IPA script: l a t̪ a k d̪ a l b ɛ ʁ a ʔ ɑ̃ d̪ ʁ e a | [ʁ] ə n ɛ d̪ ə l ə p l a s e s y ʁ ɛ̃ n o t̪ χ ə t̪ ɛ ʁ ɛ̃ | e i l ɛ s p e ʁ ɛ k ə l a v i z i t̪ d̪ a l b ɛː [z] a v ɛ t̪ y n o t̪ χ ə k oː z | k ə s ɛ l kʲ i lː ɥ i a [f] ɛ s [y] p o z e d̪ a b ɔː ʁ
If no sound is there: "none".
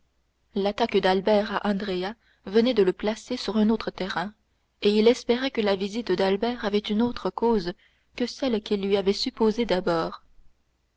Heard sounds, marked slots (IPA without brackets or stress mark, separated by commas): v, ʁ, v, y